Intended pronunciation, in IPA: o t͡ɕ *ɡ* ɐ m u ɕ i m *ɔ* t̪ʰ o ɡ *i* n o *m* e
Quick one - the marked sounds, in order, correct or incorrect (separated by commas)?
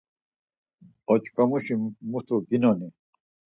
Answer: incorrect, incorrect, correct, incorrect